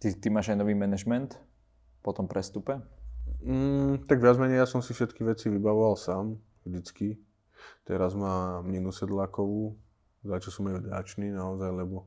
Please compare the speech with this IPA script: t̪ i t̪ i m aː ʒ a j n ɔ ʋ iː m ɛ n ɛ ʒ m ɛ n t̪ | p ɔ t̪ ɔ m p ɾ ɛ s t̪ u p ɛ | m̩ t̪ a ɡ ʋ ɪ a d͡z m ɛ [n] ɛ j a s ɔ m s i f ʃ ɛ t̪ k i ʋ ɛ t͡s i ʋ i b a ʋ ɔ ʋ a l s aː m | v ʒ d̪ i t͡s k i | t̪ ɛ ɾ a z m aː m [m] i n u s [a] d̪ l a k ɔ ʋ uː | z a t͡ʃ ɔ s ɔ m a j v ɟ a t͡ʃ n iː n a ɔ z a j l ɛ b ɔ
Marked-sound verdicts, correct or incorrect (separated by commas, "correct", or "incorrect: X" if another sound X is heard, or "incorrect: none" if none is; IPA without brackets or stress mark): incorrect: ɲ, incorrect: ɲ, incorrect: ɛ